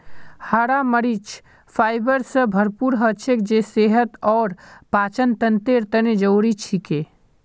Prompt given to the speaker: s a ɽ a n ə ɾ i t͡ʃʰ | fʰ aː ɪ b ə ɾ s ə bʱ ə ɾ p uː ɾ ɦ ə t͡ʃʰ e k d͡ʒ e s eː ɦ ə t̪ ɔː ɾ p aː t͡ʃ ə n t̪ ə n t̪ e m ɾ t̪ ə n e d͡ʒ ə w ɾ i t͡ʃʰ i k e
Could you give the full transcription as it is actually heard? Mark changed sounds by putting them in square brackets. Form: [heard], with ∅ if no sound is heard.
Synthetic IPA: [h] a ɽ a [m] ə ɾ i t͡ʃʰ | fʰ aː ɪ b ə ɾ s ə bʱ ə ɾ p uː ɾ ɦ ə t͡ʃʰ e k d͡ʒ e s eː ɦ ə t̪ ɔː ɾ p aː t͡ʃ ə n t̪ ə n t̪ e [∅] ɾ t̪ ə n e d͡ʒ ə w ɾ i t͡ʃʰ i k e